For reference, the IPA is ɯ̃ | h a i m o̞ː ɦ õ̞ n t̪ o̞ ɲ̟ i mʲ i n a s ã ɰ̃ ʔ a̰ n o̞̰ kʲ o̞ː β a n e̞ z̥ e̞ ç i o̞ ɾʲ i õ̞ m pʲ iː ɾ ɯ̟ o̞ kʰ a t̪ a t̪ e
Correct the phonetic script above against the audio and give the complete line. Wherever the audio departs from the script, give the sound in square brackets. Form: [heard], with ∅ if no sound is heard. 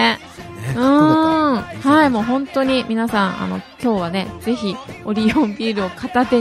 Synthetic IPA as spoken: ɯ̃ | h a i m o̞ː ɦ õ̞ n t̪ o̞ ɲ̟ i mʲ i n a s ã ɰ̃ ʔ a̰ n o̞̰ kʲ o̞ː β a n e̞ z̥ e̞ ç i o̞ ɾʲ i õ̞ m [bʲ] iː ɾ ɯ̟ o̞ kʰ a t̪ a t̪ e